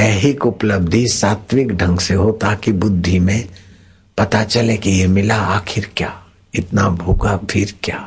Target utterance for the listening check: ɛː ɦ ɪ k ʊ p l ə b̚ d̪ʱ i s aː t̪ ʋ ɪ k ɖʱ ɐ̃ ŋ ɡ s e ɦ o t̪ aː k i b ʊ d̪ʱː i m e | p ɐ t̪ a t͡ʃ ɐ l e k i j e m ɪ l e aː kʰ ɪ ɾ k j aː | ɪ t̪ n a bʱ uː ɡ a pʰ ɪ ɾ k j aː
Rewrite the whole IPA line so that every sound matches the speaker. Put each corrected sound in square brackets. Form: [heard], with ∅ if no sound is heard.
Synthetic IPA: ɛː ɦ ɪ k ʊ p l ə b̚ d̪ʱ i s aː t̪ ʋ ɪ k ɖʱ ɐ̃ ŋ ɡ s e ɦ o t̪ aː k i b ʊ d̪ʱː i m [ẽ] | p ɐ t̪ a t͡ʃ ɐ l e k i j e m ɪ l [a] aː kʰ ɪ ɾ k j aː | ɪ t̪ n a bʱ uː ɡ a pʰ ɪ ɾ k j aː